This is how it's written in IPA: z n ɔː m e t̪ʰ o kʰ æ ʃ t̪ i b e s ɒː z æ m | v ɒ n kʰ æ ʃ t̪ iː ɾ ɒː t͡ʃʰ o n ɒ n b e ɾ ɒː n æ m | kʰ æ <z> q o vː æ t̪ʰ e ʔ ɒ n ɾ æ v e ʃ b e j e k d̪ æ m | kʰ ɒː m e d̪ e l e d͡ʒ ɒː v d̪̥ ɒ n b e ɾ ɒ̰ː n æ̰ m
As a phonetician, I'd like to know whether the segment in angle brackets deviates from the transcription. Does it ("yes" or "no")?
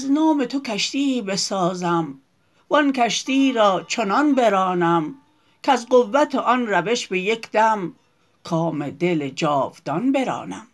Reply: no